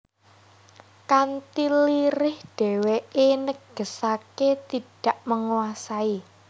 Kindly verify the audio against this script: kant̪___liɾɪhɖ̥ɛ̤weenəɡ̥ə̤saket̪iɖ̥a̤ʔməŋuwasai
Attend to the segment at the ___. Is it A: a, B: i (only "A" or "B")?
B